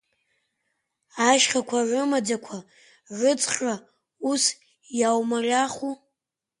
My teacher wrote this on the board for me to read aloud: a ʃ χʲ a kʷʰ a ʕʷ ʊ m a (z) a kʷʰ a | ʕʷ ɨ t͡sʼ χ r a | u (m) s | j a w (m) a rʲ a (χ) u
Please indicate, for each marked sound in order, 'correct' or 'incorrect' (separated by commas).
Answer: incorrect, incorrect, correct, correct